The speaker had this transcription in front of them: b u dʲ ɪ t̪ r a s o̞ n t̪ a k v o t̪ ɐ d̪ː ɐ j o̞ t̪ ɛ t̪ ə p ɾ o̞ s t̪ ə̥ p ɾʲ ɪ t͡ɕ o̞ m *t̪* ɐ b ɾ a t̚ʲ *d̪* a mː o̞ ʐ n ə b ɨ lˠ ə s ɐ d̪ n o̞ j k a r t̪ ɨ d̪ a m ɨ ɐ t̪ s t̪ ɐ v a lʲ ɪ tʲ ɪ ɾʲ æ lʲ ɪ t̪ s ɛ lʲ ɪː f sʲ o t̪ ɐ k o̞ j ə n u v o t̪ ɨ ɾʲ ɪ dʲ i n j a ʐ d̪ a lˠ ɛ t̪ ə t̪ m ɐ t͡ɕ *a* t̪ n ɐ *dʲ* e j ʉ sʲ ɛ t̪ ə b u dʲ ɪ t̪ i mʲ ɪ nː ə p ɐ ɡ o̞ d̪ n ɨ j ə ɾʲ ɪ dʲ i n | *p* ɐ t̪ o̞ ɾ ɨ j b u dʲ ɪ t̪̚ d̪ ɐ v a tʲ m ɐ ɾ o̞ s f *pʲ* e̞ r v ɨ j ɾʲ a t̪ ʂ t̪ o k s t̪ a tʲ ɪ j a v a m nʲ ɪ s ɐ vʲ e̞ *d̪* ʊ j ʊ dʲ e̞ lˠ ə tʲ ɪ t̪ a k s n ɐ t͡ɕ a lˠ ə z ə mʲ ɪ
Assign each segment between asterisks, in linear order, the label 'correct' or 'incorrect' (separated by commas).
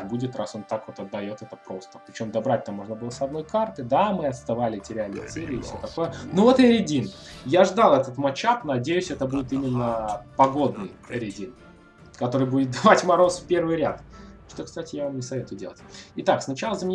incorrect, incorrect, correct, correct, incorrect, correct, incorrect